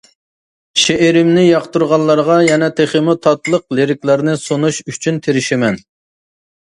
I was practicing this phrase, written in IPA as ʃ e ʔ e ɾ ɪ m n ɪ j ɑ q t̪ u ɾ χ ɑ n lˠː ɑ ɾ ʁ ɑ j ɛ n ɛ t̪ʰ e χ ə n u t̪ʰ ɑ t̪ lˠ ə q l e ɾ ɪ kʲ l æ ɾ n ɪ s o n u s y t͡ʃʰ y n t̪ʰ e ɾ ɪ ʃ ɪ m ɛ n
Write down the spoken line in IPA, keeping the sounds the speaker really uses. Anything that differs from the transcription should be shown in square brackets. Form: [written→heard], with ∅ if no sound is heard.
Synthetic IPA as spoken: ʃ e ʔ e ɾ ɪ m n ɪ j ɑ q t̪ u ɾ [χ→ʁ] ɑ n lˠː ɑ ɾ ʁ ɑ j ɛ n ɛ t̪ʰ e χ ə [n→m] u t̪ʰ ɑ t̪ lˠ ə q l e ɾ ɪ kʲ l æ ɾ n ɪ s o n u [s→ʃ] y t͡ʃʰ y n t̪ʰ e ɾ ɪ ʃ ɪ m ɛ n